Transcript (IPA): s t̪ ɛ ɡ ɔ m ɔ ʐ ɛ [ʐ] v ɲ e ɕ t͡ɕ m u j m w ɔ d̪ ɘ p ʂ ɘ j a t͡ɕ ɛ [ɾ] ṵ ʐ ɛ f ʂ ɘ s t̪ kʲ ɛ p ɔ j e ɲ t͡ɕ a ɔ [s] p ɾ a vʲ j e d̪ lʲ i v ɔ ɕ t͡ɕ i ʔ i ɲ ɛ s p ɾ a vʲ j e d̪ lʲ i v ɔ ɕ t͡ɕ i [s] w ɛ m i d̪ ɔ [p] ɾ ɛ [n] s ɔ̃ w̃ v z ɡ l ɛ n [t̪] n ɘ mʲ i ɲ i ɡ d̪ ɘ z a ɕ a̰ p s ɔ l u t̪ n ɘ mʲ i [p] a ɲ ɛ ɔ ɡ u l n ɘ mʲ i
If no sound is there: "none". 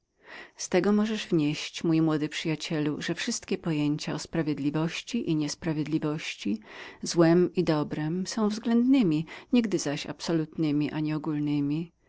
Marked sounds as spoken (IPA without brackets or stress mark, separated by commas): ʐ, l, s, z, b, m, d̪, ʔ